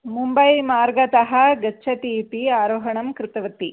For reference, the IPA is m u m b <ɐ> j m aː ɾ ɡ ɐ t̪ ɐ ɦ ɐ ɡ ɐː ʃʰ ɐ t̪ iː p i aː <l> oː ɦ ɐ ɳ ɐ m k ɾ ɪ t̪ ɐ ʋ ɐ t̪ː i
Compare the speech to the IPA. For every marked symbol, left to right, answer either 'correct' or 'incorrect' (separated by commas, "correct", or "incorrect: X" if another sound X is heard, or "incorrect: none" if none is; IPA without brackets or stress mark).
correct, incorrect: ɾ